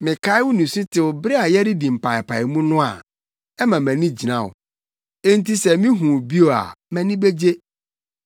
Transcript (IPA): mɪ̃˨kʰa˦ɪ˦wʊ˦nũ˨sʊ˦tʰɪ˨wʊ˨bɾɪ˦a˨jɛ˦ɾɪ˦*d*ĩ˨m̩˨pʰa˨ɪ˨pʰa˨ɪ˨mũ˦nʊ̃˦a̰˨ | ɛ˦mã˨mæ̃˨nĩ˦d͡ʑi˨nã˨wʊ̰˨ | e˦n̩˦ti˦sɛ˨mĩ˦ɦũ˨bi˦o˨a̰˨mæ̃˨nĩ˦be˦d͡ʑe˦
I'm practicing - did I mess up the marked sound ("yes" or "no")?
no